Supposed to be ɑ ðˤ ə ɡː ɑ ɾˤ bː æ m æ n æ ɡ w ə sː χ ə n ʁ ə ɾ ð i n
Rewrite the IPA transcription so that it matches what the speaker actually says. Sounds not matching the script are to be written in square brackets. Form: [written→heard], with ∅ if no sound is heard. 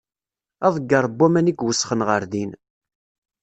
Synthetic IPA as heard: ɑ ðˤ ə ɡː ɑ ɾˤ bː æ m æ n [æ→i] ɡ w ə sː χ ə n ʁ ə ɾ ð i n